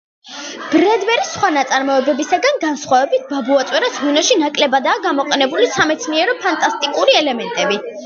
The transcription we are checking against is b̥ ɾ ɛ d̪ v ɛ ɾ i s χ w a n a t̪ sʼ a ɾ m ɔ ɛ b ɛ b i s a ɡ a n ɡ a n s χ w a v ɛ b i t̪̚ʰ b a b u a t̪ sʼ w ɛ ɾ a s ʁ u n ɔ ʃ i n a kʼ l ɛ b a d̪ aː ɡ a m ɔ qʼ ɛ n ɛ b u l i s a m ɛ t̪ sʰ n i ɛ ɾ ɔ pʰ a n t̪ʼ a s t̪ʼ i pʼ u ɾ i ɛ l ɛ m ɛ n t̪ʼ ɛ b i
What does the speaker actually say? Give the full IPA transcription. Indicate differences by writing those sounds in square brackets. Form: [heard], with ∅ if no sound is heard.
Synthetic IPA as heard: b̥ ɾ ɛ d̪ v ɛ ɾ i s χ w a n a t̪ sʼ a ɾ m ɔ ɛ b ɛ b i s a ɡ a n ɡ a n s χ w a v ɛ b i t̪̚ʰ b a b u a t̪ sʼ w ɛ ɾ a s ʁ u n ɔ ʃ i n a kʼ l ɛ b a d̪ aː ɡ a m ɔ qʼ ɛ n ɛ b u l i s a m ɛ t̪ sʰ n i ɛ ɾ ɔ pʰ a n t̪ʼ a s t̪ʼ i [kʼ] u ɾ i ɛ l ɛ m ɛ n t̪ʼ ɛ b i